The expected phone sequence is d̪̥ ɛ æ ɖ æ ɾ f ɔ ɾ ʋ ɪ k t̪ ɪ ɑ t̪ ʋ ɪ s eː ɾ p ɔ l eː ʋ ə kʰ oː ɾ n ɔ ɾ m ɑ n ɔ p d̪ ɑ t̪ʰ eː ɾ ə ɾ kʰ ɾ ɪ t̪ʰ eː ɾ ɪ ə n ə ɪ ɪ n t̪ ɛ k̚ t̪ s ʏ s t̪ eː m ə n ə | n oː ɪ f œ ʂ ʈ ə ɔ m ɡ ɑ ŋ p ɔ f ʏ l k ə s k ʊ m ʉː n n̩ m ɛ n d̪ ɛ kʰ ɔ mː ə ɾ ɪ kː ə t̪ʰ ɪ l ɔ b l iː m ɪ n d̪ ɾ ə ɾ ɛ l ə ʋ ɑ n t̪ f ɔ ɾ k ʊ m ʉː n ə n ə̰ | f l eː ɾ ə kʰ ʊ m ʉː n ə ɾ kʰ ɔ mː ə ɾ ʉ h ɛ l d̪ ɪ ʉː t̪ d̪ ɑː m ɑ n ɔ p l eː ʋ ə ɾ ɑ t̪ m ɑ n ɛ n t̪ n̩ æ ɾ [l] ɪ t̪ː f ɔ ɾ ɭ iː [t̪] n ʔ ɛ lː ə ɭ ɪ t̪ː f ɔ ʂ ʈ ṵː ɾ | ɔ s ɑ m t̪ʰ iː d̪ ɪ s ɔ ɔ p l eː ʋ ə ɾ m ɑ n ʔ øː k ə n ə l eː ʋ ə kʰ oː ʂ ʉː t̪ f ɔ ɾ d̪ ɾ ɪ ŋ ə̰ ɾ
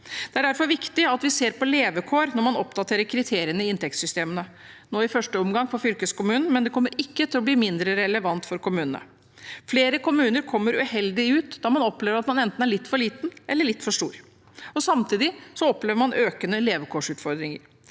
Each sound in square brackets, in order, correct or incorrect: incorrect, correct

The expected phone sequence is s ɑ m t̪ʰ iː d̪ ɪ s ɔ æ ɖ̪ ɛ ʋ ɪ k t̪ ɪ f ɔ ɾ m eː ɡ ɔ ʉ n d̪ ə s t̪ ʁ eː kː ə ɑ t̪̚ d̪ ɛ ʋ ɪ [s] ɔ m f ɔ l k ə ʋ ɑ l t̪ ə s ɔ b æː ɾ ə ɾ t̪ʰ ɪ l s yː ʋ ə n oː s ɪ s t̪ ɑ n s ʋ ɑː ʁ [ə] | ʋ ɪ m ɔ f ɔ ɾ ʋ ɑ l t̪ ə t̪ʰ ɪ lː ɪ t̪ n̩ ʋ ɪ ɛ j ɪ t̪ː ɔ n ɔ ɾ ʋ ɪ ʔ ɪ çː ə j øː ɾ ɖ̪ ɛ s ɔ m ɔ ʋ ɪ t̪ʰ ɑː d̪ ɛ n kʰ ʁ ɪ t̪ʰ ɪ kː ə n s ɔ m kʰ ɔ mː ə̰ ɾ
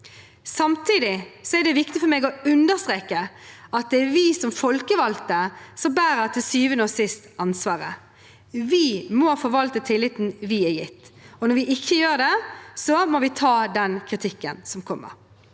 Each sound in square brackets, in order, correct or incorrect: correct, correct

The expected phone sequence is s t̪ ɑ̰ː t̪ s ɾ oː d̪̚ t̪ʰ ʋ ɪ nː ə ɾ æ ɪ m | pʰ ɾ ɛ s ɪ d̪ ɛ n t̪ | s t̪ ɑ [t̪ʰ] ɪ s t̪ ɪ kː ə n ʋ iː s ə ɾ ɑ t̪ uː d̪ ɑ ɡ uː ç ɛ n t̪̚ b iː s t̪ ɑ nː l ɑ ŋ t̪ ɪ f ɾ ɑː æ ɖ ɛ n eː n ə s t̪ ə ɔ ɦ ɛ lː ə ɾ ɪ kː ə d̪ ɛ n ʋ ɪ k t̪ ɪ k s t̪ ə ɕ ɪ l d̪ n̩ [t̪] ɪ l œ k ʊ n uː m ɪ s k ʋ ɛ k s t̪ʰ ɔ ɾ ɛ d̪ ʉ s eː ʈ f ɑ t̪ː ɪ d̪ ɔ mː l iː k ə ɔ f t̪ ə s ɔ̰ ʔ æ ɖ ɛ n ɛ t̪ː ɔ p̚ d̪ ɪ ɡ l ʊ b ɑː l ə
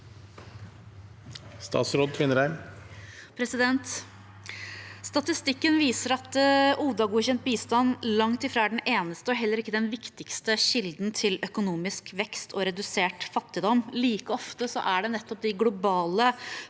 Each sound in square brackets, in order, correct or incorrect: incorrect, incorrect

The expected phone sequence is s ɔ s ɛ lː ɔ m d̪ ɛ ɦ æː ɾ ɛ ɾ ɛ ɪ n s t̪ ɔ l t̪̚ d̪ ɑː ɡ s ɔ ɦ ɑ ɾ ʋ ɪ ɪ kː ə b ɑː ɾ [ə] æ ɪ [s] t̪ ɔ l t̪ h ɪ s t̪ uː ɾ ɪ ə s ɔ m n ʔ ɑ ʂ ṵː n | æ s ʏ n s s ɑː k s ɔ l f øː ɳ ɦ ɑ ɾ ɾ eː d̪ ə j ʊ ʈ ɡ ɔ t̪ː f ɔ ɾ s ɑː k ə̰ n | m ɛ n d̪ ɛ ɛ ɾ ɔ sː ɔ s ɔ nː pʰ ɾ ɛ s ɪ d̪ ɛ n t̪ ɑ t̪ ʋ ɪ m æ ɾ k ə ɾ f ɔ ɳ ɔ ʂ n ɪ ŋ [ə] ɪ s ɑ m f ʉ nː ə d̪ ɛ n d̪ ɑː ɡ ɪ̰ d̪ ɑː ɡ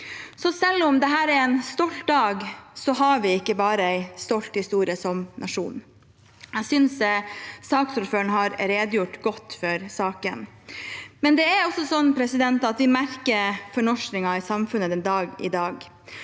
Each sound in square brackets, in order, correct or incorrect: correct, correct, incorrect

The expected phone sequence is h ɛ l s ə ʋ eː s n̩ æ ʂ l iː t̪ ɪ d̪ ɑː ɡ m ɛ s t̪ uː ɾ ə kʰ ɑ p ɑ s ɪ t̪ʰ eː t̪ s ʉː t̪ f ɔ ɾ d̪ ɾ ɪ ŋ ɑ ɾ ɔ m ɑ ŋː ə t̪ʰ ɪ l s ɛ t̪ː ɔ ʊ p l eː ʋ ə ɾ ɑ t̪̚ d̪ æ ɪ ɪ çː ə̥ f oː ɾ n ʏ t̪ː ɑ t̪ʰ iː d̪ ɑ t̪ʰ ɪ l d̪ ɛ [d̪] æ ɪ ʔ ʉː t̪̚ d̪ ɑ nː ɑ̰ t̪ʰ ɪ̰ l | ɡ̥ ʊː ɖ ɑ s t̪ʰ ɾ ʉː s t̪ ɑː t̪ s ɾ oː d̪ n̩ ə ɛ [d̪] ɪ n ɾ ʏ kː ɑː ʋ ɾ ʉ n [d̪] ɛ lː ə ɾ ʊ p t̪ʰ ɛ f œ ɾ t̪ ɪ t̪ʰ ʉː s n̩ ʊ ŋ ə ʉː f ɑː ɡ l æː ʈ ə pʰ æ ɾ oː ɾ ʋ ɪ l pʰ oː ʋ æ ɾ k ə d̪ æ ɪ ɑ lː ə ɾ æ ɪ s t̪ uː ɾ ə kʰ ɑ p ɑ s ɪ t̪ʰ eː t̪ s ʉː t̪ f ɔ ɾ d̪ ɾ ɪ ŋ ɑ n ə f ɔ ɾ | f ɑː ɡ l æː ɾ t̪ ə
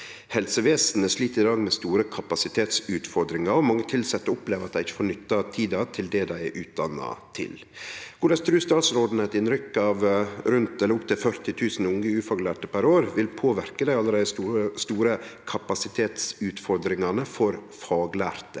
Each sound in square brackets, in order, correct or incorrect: correct, incorrect, incorrect

